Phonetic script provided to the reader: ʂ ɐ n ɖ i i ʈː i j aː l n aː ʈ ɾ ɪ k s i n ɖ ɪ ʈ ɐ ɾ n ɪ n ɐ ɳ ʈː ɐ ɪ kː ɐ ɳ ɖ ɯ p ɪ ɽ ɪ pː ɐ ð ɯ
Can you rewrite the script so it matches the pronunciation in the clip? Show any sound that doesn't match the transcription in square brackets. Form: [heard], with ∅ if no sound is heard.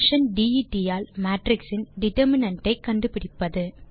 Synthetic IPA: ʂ ɐ n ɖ i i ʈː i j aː l [m] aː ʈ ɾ ɪ k s [ɪ] n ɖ ɪ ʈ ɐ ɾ [m] ɪ n ɐ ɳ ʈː ɐ ɪ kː ɐ ɳ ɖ ɯ p ɪ ɽ ɪ pː ɐ ð ɯ